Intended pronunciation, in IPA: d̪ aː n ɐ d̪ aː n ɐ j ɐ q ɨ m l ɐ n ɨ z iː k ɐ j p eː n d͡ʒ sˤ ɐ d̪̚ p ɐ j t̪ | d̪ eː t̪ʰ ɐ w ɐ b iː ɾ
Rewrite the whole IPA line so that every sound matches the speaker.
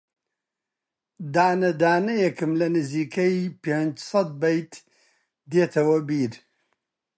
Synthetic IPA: d̪ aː n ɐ d̪ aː n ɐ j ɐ k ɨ m l ɐ n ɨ z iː k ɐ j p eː n d͡ʒ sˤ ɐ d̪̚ b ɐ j t̪ | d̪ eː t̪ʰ ɐ w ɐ b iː ɾ